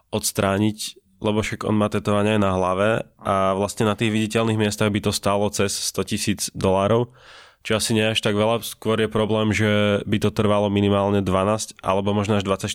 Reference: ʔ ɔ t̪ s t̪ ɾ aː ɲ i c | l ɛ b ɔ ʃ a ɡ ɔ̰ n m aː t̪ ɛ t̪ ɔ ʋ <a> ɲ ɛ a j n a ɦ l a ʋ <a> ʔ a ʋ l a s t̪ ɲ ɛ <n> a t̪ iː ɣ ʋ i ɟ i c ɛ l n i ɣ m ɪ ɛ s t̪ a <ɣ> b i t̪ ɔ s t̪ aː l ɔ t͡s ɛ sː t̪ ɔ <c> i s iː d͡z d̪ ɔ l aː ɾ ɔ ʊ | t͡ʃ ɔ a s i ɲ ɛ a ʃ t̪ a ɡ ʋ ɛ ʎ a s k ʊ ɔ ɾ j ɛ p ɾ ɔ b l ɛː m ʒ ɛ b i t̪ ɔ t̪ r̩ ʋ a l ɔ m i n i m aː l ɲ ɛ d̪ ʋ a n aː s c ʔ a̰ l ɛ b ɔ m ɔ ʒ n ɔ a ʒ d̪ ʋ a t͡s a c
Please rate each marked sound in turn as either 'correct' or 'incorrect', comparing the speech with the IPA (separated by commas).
correct, incorrect, correct, correct, correct